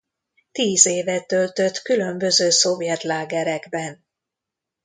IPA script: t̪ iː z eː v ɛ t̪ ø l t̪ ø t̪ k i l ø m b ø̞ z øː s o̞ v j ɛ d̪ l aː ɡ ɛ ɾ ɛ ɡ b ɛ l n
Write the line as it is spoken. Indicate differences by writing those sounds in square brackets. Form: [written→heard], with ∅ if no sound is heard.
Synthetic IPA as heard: t̪ iː z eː v ɛ t̪ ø l t̪ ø t̪ k [i→y] l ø m b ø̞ z øː s o̞ v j ɛ [d̪→t̪] l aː ɡ ɛ ɾ ɛ ɡ b ɛ [l→∅] n